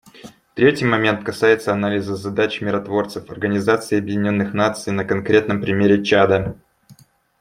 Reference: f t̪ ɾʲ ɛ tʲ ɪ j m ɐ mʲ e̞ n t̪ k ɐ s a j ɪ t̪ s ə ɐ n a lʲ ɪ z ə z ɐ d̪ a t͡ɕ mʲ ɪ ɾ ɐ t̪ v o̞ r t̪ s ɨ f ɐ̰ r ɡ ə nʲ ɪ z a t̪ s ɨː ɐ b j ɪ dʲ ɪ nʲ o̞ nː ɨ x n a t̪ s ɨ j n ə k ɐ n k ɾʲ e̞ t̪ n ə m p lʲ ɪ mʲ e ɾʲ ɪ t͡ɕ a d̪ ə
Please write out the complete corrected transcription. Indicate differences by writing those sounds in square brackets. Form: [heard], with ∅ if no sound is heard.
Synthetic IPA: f t̪ ɾʲ [e] tʲ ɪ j m ɐ mʲ e̞ n t̪ k ɐ s a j ɪ t̪ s ə ɐ n a lʲ ɪ z ə z ɐ d̪ a t͡ɕ mʲ ɪ ɾ ɐ t̪ v o̞ r t̪ s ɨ f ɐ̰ r ɡ ə nʲ ɪ z a t̪ s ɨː ɐ b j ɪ dʲ ɪ nʲ o̞ nː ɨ x n a t̪ s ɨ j n ə k ɐ n k ɾʲ e̞ t̪ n ə m p [ɾʲ] ɪ mʲ e ɾʲ ɪ t͡ɕ a d̪ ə